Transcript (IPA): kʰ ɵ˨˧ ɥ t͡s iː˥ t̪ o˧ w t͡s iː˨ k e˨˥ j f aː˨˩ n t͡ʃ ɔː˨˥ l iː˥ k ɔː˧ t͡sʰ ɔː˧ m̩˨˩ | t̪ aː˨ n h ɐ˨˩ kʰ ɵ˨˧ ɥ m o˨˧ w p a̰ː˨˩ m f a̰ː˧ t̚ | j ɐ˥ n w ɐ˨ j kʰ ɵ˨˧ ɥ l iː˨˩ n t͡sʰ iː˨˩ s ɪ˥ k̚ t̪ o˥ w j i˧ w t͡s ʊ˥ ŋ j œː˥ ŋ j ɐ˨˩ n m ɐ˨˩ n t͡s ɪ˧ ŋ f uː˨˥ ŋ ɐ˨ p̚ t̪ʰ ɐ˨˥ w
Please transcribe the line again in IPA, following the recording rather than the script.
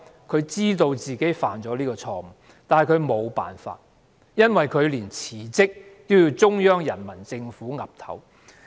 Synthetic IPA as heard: kʰ ɵ˨˧ ɥ t͡s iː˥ t̪ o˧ w t͡s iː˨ k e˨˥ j f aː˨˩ n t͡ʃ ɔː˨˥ l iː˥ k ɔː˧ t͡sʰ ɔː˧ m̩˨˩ | t̪ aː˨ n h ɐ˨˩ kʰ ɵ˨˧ ɥ m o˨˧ w p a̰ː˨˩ n f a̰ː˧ t̚ | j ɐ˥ n w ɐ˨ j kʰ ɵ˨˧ ɥ l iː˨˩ n t͡sʰ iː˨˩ t͡s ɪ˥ k̚ t̪ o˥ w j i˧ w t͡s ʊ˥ ŋ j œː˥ ŋ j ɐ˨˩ n m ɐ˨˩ n t͡s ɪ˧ ŋ f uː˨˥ ŋ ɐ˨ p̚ t̪ʰ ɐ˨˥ w